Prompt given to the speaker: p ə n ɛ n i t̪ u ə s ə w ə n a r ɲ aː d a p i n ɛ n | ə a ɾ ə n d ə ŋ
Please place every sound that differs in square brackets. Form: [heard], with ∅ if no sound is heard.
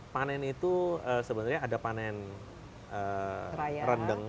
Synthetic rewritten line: p [a] n ɛ n i t̪ u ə s ə [b] ə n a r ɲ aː d a p [a] n ɛ n | ə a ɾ ə n d ə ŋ